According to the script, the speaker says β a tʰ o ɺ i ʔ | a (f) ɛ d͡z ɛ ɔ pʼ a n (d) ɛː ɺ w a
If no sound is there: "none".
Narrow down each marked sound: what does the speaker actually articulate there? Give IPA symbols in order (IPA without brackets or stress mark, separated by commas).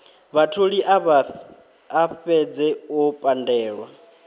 f, d